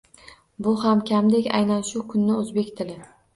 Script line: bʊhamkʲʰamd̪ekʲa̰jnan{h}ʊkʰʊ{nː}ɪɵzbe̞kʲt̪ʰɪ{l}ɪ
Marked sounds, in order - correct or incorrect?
incorrect, correct, correct

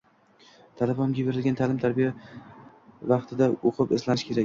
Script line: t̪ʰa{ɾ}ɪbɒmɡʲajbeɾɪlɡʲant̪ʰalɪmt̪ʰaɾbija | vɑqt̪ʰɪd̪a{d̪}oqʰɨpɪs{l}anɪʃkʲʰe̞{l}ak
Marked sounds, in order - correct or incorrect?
incorrect, incorrect, correct, incorrect

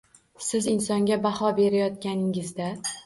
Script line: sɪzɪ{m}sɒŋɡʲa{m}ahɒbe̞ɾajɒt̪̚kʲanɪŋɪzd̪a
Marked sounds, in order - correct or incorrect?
incorrect, incorrect

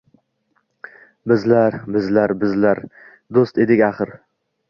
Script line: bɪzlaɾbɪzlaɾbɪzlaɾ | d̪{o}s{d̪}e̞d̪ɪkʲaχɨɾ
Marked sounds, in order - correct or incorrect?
correct, incorrect

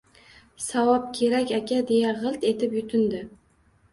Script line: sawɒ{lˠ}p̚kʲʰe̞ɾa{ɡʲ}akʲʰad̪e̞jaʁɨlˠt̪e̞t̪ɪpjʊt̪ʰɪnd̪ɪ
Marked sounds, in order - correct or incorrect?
incorrect, incorrect

